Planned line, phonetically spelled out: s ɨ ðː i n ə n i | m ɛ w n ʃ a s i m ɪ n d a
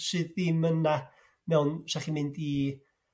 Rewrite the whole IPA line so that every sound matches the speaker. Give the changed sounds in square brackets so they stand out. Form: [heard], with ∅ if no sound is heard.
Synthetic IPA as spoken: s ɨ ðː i [m] ə n [a] | m ɛ w n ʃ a [χ] i m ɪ n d [i]